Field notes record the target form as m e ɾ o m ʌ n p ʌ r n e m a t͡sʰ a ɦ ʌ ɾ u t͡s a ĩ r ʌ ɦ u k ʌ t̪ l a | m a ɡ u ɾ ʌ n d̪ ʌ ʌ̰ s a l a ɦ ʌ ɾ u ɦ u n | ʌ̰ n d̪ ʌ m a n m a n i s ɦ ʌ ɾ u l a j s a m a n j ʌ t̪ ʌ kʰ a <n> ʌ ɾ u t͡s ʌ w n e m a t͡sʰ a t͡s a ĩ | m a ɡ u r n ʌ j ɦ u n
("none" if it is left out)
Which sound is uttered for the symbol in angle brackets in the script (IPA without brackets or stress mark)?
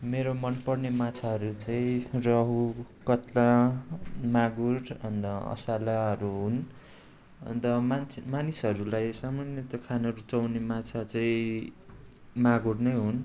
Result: n